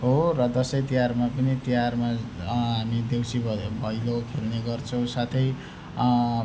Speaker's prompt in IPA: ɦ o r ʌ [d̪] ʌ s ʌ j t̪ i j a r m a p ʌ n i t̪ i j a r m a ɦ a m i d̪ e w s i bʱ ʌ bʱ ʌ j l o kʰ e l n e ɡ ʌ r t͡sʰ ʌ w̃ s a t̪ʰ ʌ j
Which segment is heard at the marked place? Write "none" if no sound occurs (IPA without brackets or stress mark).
d̪